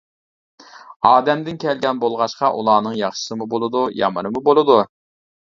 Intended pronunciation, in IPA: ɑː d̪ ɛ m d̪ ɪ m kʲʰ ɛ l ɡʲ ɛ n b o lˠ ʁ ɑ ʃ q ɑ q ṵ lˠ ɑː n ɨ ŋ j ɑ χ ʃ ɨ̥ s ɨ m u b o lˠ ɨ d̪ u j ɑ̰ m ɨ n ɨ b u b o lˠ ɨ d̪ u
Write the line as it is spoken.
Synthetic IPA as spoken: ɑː d̪ ɛ m d̪ ɪ n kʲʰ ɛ l ɡʲ ɛ n b o lˠ ʁ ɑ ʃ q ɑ ʔ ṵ lˠ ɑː n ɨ ŋ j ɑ χ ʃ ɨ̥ s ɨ m u b o lˠ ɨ d̪ u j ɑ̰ m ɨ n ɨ m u b o lˠ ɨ d̪ u